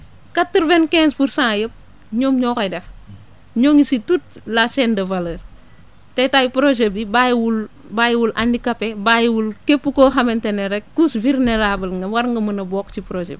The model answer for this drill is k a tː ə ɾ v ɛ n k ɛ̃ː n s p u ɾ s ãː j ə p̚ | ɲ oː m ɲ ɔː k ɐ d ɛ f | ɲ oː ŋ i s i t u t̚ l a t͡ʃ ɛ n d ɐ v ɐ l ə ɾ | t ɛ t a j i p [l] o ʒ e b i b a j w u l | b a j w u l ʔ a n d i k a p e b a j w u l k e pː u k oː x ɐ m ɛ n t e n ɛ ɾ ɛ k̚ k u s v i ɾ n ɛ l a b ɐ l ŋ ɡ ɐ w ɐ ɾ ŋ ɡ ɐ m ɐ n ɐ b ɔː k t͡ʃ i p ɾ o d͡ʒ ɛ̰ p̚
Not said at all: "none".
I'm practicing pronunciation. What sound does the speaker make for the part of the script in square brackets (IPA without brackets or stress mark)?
ɾ